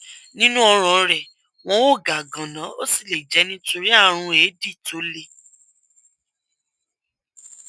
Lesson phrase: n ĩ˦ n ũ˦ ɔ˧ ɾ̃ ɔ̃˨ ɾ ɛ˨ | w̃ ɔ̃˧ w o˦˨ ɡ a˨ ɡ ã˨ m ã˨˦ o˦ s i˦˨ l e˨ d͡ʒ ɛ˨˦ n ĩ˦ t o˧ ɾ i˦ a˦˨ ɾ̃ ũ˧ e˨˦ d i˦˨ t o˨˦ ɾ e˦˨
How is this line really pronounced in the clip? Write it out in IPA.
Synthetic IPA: n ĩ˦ n ũ˦ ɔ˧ ɾ̃ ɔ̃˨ ɾ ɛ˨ | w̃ ɔ̃˧ w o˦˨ ɡ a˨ ɡ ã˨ n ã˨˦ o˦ s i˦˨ l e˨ d͡ʒ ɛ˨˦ n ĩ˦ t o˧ ɾ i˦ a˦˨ ɾ̃ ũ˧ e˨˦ d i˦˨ t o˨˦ l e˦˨